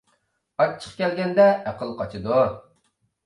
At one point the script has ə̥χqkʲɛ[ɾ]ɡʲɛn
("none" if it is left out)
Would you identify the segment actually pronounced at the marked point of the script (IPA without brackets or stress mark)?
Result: l